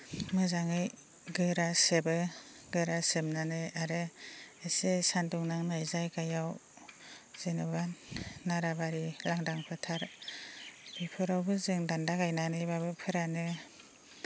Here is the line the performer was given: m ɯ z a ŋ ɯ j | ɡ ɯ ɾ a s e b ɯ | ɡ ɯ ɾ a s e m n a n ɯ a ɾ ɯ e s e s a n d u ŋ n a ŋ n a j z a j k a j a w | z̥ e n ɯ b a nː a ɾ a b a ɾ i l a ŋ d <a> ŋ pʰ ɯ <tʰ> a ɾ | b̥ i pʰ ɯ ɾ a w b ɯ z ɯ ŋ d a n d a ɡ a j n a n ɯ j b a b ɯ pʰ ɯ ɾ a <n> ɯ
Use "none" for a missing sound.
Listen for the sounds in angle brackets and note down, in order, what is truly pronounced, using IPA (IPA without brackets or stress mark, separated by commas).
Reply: a, tʰ, n